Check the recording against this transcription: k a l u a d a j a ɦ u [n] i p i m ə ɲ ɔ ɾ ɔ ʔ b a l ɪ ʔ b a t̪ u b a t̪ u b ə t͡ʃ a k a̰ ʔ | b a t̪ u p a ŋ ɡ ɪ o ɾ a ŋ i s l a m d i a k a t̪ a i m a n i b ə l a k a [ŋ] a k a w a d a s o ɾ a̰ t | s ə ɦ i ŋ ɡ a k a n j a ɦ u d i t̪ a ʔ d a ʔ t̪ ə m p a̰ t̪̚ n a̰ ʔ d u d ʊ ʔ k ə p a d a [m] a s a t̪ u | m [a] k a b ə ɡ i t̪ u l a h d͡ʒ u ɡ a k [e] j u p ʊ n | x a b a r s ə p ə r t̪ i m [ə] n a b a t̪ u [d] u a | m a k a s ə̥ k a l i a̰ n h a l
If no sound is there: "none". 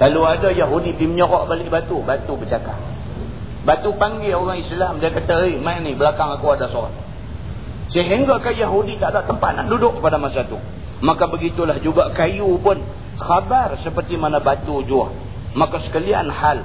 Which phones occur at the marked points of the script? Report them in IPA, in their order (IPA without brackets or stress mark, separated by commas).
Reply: d, ŋ, m, a, a, a, d͡ʒ